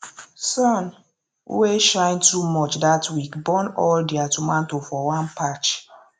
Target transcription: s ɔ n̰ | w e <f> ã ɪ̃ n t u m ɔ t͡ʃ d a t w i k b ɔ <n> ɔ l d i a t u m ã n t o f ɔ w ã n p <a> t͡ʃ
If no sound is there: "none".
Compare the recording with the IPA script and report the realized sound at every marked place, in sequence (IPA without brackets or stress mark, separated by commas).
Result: ʃ, n, a